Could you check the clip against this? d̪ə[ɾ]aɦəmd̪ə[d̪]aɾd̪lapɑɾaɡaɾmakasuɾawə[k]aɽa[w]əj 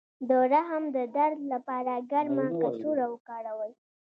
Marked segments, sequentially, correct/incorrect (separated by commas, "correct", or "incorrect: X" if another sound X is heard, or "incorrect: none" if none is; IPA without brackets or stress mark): correct, correct, correct, correct